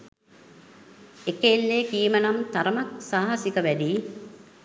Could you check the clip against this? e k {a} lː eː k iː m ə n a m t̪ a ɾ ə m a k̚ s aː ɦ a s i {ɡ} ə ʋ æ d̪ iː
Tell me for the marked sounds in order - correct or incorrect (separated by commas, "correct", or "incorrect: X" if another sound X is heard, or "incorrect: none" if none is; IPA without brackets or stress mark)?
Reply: incorrect: e, incorrect: k